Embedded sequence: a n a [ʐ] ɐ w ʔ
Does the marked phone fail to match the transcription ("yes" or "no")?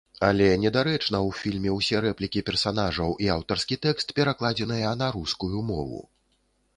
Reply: no